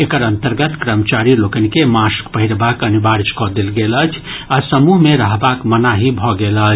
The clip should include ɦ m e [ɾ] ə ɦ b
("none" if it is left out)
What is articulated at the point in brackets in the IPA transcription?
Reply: ɾ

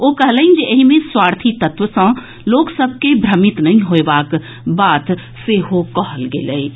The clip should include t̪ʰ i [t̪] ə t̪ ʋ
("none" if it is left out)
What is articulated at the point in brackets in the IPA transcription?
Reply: t̪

